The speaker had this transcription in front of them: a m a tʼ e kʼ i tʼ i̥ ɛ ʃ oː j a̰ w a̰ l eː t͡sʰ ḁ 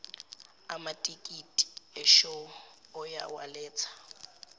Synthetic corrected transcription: a m a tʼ i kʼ i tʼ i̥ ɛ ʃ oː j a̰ w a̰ l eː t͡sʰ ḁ